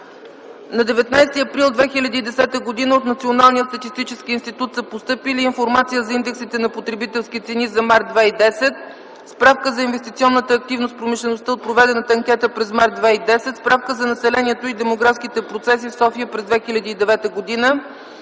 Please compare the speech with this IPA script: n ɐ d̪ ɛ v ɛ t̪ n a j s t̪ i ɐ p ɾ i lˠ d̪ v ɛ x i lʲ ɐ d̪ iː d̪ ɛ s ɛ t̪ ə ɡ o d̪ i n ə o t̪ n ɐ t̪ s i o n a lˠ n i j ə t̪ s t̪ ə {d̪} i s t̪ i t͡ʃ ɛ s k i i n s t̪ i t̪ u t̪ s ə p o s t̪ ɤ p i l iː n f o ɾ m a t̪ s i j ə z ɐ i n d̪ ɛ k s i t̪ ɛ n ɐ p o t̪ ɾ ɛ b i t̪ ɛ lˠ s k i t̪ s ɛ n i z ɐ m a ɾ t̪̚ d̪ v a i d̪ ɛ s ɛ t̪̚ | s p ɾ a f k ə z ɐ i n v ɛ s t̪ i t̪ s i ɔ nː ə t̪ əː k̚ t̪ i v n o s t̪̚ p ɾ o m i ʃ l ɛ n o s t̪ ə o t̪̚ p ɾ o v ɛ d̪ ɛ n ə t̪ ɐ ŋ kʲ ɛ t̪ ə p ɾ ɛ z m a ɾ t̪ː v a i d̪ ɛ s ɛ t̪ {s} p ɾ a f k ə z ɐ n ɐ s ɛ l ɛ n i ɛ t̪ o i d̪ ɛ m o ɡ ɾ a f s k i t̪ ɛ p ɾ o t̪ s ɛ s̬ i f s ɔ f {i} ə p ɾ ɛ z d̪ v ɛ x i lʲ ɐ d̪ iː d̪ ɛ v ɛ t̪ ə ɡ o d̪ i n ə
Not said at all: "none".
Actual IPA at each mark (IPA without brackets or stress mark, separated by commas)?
t̪, s, i